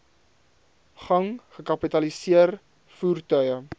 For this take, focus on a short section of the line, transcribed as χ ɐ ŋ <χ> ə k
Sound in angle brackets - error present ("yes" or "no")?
no